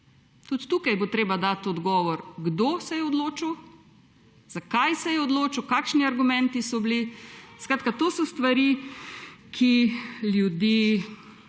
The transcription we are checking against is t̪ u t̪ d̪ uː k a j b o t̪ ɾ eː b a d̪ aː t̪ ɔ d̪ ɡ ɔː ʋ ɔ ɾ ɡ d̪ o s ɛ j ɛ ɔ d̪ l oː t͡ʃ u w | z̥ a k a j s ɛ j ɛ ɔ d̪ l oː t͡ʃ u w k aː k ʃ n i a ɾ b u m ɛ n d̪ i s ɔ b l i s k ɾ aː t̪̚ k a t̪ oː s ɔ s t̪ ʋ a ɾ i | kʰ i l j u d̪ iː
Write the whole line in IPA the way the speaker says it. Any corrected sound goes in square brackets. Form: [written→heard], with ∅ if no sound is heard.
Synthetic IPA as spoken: t̪ u t̪ [d̪→t̪] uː k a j b o t̪ ɾ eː b a d̪ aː t̪ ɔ d̪ ɡ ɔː ʋ ɔ ɾ ɡ d̪ o s ɛ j ɛ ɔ d̪ l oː t͡ʃ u w | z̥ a k a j s ɛ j ɛ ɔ d̪ l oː t͡ʃ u w k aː k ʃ n i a ɾ [b→ɡ] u m ɛ n [d̪→t̪] i s ɔ b l i s k ɾ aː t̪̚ k a t̪ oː s ɔ s t̪ ʋ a ɾ i | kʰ i l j u d̪ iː